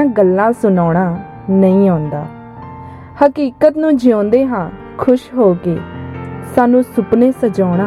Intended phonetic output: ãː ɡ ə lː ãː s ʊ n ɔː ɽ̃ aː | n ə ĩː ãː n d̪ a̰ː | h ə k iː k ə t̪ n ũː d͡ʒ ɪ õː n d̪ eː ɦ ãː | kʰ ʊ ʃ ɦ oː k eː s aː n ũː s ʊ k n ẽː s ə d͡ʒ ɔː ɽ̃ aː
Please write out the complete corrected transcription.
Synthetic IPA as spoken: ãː ɡ ə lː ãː s ʊ n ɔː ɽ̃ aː | n ə ĩː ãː n d̪ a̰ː | h ə k iː k ə t̪ n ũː d͡ʒ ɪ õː n d̪ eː ɦ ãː | kʰ ʊ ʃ ɦ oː k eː s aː n ũː s ʊ p n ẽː s ə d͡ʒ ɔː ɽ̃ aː